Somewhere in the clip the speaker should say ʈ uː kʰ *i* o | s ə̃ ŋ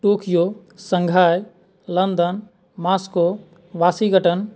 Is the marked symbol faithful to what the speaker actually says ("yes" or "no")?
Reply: no